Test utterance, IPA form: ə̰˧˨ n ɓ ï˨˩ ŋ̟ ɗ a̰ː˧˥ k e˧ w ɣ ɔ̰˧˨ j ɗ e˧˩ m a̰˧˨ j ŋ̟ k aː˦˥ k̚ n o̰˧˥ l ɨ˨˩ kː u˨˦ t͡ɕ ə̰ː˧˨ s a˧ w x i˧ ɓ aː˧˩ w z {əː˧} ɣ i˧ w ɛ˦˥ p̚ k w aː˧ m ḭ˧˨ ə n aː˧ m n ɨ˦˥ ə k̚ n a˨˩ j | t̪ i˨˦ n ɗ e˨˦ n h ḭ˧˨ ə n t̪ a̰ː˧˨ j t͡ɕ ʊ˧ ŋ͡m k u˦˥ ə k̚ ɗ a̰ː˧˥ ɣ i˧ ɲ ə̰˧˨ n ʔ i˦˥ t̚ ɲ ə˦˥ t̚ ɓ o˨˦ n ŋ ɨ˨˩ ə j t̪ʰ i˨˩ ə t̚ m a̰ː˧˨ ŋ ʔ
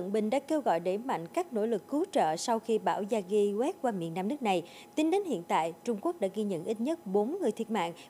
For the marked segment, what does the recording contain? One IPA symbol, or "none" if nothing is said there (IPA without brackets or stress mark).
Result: aː˧